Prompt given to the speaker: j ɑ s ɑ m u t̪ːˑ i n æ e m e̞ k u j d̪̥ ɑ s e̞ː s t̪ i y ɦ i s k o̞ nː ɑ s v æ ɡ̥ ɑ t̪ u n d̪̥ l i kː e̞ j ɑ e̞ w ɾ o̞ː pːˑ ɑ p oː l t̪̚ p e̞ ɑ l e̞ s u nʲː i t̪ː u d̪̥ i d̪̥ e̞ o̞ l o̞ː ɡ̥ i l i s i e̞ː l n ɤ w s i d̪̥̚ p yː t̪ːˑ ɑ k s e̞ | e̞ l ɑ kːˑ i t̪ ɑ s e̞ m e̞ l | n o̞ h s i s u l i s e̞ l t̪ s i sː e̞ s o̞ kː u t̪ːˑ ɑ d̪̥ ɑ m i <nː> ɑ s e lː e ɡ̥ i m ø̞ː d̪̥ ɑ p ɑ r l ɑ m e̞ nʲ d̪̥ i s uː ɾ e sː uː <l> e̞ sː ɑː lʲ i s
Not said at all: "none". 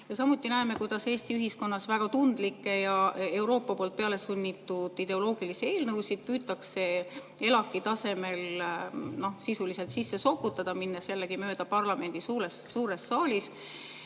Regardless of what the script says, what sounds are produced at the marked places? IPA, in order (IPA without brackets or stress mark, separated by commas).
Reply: nː, ɾ